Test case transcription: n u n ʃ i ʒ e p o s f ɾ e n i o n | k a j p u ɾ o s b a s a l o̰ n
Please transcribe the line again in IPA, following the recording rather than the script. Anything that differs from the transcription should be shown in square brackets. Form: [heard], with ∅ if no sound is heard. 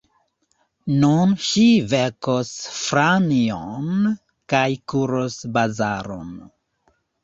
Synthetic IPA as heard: n u n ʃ i [v] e [k] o s f ɾ [a] n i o n | k a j [k] u ɾ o s b a [z] a [ɾ] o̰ n